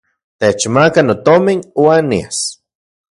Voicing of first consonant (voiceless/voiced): voiceless